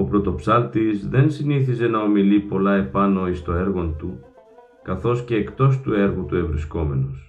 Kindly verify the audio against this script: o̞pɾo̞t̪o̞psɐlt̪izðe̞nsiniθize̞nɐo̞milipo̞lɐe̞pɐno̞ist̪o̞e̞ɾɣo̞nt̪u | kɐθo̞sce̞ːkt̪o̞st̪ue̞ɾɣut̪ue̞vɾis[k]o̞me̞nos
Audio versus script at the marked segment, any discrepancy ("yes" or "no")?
no